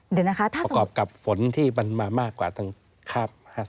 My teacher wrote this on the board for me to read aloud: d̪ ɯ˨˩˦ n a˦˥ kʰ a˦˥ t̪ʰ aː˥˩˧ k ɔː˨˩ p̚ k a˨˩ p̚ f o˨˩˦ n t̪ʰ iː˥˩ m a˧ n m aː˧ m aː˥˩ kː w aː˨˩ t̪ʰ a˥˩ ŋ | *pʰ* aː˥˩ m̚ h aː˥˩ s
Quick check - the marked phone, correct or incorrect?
incorrect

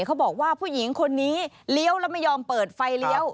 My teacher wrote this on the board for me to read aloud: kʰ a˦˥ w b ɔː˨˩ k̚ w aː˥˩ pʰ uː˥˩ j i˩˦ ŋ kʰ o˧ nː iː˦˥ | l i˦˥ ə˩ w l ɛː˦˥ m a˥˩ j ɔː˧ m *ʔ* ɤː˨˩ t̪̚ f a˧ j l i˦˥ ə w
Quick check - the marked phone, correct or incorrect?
incorrect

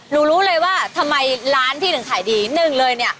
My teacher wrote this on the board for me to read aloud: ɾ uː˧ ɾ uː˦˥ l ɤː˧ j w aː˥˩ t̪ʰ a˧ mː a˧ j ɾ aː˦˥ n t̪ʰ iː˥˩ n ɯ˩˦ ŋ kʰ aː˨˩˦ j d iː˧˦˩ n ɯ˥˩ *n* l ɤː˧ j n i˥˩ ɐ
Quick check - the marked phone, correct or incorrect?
incorrect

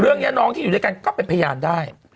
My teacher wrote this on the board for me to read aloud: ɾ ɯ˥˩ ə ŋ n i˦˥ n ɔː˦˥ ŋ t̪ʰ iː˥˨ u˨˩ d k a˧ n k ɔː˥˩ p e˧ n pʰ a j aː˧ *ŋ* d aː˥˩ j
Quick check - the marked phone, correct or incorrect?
incorrect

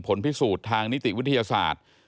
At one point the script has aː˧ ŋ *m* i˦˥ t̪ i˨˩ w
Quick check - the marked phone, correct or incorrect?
incorrect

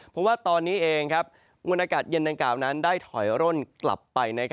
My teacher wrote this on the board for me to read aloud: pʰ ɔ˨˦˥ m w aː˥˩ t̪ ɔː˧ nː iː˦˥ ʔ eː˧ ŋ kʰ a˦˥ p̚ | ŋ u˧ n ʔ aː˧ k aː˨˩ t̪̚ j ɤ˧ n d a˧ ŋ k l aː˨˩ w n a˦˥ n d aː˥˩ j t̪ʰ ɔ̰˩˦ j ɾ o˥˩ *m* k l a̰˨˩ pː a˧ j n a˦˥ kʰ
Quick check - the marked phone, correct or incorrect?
incorrect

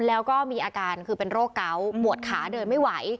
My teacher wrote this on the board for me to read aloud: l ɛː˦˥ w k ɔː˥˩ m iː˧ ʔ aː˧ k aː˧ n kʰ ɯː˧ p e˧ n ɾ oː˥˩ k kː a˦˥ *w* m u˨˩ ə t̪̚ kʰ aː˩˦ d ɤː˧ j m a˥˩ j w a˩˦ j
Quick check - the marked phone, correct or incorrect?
correct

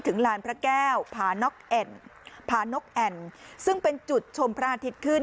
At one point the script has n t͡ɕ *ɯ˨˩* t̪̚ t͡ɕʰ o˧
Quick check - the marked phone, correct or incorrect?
incorrect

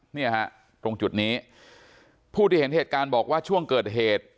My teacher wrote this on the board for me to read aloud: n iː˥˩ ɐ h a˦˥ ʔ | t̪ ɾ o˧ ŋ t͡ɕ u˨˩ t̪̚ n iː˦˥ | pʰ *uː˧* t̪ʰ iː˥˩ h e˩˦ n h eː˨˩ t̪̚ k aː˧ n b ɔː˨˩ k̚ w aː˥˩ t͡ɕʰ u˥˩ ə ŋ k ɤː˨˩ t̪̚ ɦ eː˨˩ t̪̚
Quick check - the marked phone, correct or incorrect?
incorrect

